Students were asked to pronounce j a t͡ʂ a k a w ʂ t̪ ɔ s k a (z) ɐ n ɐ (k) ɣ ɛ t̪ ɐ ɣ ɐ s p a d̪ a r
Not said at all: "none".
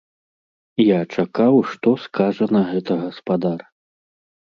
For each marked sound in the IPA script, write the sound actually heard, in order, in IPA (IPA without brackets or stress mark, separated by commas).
ʐ, none